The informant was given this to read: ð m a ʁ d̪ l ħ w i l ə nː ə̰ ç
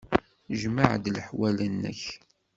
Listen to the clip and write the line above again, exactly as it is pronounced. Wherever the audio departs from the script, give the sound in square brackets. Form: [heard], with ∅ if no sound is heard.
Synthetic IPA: [ʒ] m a [ʕ] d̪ l ħ w [æ] l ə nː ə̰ ç

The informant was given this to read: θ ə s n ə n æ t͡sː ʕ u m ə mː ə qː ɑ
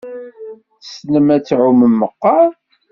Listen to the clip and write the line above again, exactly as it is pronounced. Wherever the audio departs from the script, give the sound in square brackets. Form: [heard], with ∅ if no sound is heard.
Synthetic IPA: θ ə s n ə [m] æ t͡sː ʕ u m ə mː ə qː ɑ

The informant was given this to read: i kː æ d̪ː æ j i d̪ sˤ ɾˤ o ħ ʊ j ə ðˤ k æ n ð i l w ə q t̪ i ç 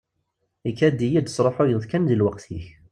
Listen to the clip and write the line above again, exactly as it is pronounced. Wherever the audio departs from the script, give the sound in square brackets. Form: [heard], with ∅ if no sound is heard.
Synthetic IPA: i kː æ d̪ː [i] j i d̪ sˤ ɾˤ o ħ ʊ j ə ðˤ k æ n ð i l w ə q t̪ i ç

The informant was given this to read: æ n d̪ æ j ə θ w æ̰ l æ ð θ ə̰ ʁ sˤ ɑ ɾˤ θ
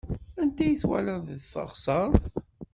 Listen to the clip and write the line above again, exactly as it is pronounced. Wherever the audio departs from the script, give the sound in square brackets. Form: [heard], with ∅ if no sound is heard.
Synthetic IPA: æ n [t̪] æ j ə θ w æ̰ l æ ð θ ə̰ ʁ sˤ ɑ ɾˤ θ

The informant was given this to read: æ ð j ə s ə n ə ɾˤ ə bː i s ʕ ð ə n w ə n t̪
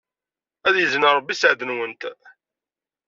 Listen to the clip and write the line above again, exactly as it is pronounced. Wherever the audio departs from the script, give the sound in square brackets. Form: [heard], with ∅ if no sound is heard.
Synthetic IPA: æ ð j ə [z] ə n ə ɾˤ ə bː i s ʕ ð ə n w ə n t̪

